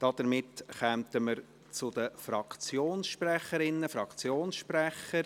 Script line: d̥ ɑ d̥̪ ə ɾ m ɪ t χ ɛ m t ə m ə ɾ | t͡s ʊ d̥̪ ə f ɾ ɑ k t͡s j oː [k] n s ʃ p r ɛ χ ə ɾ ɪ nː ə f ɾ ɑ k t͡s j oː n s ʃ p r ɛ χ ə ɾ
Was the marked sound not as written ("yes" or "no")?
yes